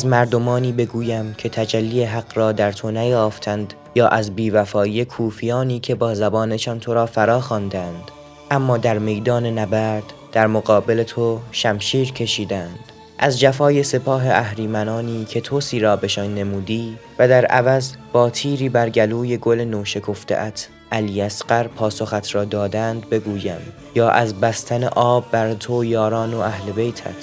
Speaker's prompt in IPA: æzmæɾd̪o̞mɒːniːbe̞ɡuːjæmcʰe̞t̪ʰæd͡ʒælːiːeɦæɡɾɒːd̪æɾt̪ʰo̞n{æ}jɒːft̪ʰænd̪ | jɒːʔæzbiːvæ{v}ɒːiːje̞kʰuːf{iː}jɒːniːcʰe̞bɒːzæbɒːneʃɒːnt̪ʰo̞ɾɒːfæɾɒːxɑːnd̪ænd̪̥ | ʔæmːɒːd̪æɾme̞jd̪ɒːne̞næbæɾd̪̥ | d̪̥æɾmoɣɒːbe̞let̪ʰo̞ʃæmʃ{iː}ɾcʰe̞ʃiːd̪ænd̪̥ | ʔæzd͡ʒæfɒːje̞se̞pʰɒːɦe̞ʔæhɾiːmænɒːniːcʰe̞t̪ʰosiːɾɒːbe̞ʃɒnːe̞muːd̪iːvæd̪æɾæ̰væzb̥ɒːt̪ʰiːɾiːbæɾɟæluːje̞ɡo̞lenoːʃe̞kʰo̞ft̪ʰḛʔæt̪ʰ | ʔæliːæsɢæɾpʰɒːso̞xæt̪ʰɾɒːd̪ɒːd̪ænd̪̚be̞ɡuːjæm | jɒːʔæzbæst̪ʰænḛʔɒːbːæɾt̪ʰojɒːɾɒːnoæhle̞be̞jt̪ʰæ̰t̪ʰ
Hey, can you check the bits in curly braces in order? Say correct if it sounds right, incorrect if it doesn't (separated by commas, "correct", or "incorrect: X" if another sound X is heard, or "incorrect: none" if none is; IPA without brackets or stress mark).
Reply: correct, incorrect: f, incorrect: i, correct